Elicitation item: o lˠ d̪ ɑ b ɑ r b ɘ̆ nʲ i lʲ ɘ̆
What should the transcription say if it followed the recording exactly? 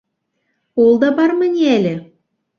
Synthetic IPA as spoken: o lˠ d̪ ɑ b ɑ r m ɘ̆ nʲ æ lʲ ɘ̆